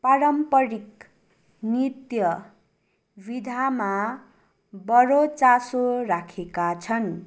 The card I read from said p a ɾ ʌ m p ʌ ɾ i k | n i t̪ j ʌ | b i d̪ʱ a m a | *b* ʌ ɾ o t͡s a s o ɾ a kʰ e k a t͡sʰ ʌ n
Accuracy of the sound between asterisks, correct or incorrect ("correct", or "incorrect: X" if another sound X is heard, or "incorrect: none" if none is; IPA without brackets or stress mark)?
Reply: correct